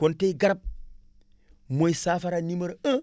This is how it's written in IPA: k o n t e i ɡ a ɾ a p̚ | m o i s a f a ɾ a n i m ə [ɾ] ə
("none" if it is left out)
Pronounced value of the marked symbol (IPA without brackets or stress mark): ɾ